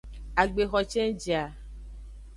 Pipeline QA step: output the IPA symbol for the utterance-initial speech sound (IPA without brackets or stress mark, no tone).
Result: a